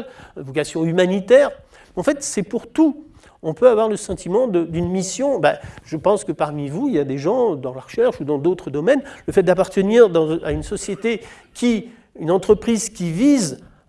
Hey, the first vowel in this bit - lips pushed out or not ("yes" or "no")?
yes